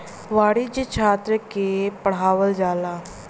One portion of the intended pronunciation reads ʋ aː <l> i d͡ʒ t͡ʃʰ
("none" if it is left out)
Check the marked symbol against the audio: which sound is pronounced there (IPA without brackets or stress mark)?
ɽ